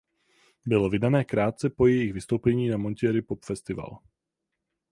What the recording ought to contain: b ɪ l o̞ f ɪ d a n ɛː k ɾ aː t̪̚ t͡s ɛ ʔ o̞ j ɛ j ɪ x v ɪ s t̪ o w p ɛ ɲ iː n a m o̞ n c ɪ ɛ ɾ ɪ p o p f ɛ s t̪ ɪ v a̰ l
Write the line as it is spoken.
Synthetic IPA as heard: b ɪ l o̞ v ɪ d a n ɛː k ɾ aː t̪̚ t͡s ɛ p o̞ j ɛ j ɪ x v ɪ s t̪ o w p ɛ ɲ iː n a m o̞ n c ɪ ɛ ɾ ɪ p o p f ɛ s t̪ ɪ v a̰ l